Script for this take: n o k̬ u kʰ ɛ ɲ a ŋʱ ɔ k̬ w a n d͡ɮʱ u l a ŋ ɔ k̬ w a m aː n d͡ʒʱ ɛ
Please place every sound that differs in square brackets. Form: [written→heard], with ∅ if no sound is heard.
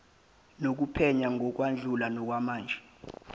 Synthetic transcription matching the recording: n o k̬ u [kʰ→pʰ] ɛ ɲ a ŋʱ ɔ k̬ w a n d͡ɮʱ u l a [ŋ→n] ɔ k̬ w a m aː n d͡ʒʱ ɛ